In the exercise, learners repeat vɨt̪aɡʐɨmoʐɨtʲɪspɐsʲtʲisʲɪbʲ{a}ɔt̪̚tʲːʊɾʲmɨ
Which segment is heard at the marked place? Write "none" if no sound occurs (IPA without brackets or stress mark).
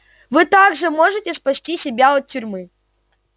a